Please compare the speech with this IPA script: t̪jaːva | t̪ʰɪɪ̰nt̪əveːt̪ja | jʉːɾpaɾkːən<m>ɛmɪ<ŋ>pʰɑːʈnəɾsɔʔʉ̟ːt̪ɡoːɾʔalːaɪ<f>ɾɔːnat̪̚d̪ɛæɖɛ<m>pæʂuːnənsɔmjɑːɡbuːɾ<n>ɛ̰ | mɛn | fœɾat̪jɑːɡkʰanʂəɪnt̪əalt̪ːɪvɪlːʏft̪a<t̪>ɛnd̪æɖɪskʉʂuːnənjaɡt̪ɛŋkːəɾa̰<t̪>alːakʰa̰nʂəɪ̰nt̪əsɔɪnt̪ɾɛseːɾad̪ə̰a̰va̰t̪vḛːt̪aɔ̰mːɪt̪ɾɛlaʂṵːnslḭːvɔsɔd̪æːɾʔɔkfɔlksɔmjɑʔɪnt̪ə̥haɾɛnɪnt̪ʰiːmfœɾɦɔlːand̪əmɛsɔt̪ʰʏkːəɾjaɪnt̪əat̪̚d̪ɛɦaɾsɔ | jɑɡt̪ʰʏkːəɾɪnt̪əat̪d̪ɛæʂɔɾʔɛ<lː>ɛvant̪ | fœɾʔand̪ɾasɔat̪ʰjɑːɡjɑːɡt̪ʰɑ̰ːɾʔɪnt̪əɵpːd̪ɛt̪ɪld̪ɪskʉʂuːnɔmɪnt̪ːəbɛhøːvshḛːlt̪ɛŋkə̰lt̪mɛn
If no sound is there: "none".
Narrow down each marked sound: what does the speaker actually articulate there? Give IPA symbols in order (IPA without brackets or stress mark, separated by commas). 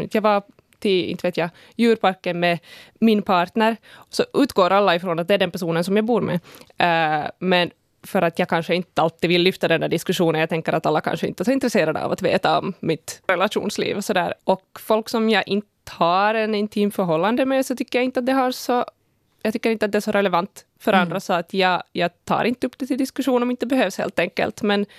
m, n, f, n, m, d̪, t̪, l